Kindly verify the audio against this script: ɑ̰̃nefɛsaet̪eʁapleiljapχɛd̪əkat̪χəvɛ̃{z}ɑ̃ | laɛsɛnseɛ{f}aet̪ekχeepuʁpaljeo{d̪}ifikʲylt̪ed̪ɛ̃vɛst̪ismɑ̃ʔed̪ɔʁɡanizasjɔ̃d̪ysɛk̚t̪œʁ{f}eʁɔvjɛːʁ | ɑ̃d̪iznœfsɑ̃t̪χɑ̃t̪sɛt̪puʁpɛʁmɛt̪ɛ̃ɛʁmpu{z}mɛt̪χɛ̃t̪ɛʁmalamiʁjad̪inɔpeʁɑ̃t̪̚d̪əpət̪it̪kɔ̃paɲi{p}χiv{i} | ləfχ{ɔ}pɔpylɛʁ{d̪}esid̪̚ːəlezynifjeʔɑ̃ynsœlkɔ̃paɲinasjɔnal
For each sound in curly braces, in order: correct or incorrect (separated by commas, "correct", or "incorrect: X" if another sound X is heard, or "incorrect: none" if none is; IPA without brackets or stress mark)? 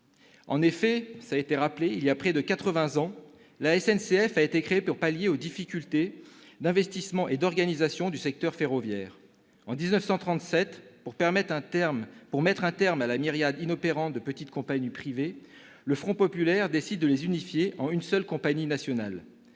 correct, correct, correct, correct, incorrect: ʁ, correct, incorrect: e, incorrect: ɔ̃, correct